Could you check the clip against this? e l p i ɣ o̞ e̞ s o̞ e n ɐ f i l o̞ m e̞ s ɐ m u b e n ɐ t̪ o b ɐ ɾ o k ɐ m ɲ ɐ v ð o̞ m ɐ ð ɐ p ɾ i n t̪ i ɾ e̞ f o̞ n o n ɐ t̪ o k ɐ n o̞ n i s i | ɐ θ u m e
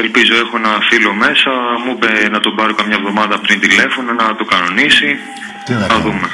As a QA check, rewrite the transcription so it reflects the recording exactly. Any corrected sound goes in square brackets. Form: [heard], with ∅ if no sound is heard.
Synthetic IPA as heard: e l p i [z] o̞ e̞ [x] o̞ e n ɐ f i l o̞ m e̞ s ɐ m u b e n ɐ t̪ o b ɐ ɾ o k ɐ m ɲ ɐ v ð o̞ m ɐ ð ɐ p ɾ i n t̪ i [l] e̞ f o̞ n o n ɐ t̪ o k ɐ n o̞ n i s i | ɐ [ð] u m e